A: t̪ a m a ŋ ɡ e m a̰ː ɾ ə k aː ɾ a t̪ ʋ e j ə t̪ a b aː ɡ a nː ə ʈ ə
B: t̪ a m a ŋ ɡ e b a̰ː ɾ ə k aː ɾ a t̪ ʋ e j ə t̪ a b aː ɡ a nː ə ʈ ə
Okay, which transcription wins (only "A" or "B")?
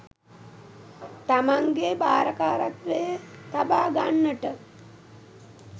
B